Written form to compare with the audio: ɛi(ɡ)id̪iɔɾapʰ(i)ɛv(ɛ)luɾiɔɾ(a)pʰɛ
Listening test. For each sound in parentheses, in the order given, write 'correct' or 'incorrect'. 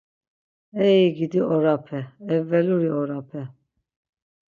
correct, incorrect, correct, correct

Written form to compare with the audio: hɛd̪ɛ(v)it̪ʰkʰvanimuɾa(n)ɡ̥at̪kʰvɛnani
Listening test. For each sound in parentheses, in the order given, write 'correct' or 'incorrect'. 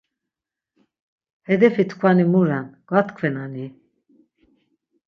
incorrect, correct

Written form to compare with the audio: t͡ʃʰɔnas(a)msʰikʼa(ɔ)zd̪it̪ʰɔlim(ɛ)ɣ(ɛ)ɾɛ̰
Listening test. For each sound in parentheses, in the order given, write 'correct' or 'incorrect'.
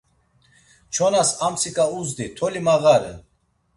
correct, incorrect, incorrect, incorrect

